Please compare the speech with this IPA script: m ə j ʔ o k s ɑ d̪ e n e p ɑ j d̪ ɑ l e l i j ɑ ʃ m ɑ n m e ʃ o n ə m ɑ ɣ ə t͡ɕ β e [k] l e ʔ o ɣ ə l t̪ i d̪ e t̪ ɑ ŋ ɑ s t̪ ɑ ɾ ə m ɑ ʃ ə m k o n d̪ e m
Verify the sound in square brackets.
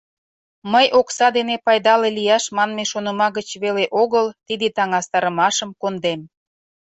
incorrect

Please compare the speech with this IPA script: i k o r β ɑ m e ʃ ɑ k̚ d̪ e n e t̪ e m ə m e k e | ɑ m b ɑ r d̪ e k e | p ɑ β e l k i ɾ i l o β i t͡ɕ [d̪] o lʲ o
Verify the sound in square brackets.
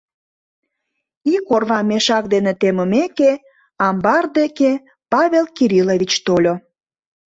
incorrect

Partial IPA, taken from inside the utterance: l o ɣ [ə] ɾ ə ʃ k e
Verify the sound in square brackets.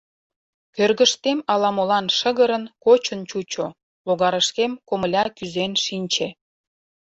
incorrect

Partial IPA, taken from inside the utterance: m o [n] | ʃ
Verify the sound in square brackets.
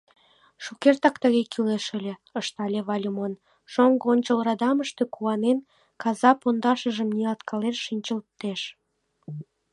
correct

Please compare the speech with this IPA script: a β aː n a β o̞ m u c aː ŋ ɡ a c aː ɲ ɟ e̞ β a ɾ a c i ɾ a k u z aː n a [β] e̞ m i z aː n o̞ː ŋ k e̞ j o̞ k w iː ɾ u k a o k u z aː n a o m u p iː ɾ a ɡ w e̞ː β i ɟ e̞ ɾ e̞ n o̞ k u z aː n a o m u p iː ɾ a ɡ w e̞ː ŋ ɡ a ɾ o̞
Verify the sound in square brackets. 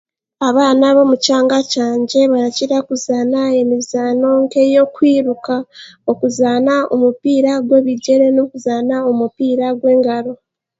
incorrect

